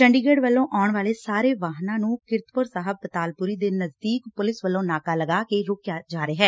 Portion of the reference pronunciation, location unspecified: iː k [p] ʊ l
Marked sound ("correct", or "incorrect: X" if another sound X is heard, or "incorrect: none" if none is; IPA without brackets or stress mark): correct